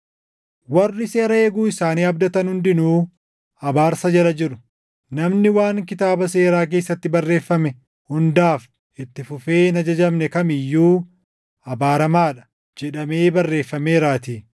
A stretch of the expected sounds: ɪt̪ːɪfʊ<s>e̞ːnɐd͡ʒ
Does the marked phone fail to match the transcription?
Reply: yes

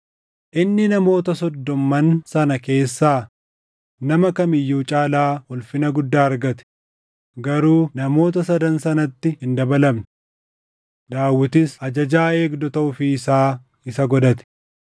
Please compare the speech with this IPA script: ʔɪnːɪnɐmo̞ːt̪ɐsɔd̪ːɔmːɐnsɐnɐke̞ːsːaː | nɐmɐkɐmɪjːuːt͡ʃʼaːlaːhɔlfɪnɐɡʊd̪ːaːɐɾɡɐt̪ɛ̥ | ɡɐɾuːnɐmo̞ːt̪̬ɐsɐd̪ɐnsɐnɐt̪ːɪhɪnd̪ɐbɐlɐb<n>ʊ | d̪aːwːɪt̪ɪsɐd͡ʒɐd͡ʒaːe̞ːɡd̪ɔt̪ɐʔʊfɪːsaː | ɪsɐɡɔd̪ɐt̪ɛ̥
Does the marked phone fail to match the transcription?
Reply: no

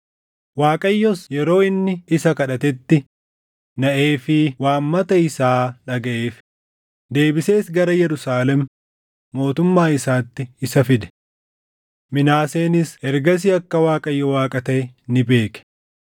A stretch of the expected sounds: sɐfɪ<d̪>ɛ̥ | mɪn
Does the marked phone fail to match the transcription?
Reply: no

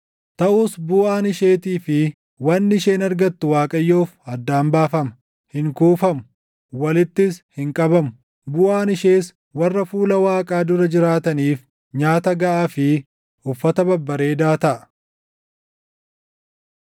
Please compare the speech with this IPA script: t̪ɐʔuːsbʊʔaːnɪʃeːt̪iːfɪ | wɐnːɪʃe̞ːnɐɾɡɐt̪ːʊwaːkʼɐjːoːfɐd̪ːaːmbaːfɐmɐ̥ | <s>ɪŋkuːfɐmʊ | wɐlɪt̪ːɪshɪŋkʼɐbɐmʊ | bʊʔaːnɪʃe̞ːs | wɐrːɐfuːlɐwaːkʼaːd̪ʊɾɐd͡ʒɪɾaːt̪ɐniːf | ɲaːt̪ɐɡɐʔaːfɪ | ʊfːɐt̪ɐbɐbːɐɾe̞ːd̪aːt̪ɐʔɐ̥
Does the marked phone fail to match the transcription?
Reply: yes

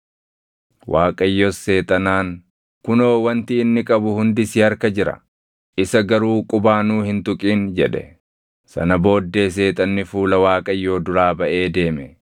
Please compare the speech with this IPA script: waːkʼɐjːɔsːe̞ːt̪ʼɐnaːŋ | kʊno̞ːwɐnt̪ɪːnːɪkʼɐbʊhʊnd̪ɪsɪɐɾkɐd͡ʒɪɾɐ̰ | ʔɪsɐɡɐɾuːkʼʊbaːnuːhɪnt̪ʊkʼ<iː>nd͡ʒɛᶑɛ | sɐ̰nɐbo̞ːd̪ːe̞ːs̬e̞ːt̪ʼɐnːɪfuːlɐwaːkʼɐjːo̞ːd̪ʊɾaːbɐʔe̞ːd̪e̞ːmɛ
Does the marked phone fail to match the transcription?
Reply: no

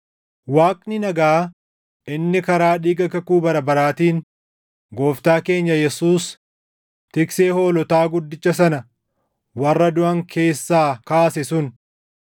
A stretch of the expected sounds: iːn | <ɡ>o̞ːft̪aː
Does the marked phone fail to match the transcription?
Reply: no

